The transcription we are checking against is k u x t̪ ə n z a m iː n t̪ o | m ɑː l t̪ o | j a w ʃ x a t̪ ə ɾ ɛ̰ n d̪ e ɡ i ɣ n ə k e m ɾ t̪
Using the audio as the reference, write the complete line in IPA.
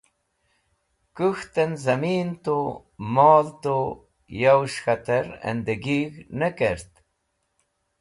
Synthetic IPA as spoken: k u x t̪ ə n z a m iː n t̪ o | m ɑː l t̪ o | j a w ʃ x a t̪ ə ɾ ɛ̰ n d̪ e ɡ i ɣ n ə k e ɾ t̪